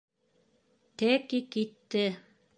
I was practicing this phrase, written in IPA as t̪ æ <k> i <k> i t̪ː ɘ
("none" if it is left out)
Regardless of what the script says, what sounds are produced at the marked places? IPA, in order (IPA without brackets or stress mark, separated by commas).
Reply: k, k